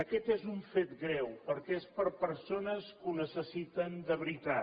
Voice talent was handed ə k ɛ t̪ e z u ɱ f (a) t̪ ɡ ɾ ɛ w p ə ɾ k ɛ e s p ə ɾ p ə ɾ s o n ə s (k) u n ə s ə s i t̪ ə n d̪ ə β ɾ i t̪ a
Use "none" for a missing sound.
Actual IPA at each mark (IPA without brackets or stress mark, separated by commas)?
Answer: e, k